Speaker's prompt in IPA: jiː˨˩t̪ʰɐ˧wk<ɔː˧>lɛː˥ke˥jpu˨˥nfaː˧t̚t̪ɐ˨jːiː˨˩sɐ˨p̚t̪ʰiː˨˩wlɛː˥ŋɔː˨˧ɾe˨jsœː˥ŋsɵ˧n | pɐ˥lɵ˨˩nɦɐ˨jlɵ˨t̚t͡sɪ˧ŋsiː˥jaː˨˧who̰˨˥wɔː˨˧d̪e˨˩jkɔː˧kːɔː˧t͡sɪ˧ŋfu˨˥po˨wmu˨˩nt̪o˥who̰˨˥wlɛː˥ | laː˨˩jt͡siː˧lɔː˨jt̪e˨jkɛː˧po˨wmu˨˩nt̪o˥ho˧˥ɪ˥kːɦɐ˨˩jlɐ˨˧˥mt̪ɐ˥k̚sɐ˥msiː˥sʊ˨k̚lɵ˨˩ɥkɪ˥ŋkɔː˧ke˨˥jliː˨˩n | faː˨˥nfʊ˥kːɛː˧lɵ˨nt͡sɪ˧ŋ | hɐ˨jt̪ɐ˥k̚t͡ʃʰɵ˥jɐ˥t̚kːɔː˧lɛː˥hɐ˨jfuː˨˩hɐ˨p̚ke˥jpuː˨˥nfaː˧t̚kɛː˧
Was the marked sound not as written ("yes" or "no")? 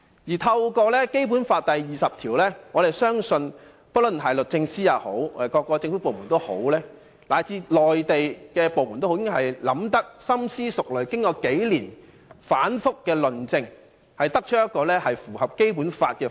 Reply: no